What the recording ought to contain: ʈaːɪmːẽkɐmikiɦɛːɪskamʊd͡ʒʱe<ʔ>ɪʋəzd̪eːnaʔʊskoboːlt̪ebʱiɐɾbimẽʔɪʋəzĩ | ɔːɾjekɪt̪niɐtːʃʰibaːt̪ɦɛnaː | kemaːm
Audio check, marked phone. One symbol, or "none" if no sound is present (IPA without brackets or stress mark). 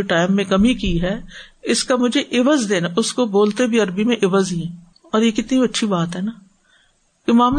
ʔ